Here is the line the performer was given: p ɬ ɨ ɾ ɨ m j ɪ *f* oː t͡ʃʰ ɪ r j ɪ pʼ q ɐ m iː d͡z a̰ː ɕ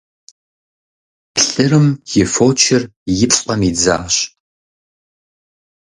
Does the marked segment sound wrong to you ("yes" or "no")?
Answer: no